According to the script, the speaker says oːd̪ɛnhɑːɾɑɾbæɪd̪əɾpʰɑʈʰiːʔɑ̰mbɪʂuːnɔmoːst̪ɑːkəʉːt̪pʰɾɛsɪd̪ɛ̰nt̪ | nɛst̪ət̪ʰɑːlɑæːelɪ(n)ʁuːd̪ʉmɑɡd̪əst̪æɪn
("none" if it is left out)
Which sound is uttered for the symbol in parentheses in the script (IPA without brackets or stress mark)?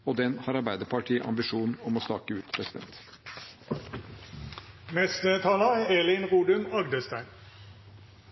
n